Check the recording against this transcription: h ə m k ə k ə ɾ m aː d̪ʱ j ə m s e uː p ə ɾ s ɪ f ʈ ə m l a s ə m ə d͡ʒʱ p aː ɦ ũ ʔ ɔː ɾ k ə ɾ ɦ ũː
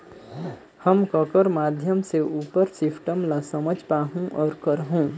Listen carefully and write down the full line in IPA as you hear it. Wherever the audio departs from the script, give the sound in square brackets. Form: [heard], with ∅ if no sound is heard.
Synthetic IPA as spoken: h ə m k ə k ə ɾ m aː d̪ʱ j ə m s e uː p ə ɾ s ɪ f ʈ ə m l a s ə m ə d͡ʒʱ p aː ɦ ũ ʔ ɔː ɾ k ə ɾ ɦ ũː